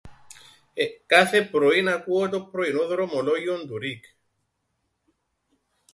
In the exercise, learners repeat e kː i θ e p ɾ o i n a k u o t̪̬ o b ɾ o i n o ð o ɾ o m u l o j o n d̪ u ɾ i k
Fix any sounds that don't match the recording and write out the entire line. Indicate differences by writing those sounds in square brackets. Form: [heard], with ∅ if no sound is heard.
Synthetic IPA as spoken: e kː [a] θ e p ɾ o i n a k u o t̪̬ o [p] ɾ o i n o ð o ɾ o m [o] l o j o n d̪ u ɾ i k

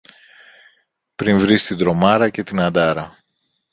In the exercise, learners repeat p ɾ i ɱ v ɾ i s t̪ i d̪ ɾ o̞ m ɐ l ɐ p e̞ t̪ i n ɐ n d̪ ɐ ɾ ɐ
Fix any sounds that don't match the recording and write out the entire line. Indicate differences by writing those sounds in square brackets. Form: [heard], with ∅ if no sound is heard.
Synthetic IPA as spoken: p ɾ i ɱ v ɾ i s t̪ i d̪ ɾ o̞ m ɐ [ɾ] ɐ [c] e̞ t̪ i n ɐ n d̪ ɐ ɾ ɐ

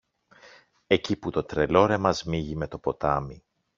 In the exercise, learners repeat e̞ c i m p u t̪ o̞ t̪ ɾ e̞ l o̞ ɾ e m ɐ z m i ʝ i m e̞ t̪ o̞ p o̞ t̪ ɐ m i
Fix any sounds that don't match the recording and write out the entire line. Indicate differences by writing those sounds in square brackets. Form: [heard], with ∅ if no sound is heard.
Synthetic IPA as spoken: e̞ c i [∅] p u t̪ o̞ t̪ ɾ e̞ l o̞ ɾ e m ɐ z m i ʝ i m e̞ t̪ o̞ p o̞ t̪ ɐ m i

